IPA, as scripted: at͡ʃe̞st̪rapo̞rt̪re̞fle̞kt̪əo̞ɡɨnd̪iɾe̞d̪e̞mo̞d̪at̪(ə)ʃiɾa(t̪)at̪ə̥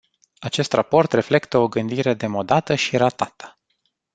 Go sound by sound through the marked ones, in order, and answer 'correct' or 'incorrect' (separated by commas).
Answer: correct, correct